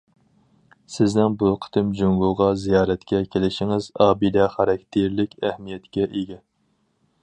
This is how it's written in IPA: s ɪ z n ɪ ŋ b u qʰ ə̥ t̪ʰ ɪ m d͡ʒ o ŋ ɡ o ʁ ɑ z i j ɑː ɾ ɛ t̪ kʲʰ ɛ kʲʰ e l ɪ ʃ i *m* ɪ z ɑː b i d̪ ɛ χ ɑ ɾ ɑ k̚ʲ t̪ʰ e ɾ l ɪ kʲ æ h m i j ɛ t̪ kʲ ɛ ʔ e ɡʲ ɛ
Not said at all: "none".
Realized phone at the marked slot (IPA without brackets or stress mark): ŋ